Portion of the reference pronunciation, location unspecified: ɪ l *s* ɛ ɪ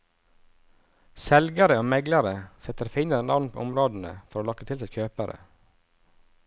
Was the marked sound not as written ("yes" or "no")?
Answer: no